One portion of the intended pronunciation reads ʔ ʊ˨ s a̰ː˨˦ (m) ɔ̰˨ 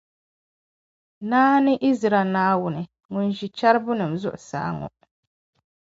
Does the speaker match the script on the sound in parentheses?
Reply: no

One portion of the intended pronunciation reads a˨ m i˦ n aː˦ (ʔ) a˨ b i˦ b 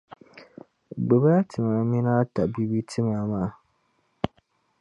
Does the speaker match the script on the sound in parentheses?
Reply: no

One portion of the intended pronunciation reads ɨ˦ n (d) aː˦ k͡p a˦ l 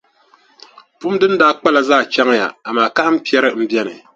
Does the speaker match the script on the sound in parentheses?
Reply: yes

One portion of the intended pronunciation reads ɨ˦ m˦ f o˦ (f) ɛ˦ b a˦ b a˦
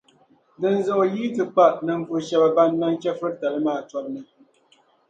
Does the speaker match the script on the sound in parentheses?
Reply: no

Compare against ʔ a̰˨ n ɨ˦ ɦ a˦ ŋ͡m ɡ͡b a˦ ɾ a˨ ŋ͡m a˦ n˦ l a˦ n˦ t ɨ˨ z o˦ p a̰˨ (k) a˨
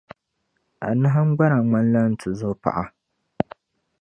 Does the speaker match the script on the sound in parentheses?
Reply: no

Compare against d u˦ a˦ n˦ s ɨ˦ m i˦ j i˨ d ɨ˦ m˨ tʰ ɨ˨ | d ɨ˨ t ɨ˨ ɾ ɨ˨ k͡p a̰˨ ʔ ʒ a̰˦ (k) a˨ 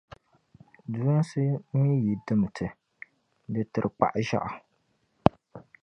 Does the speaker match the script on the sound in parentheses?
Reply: no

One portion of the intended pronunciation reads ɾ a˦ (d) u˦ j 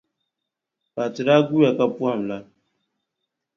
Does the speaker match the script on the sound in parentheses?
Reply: no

